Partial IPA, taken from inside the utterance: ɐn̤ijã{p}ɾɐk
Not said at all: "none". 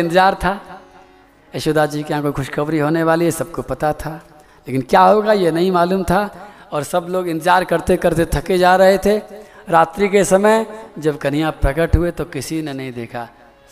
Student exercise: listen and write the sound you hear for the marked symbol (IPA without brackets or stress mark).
p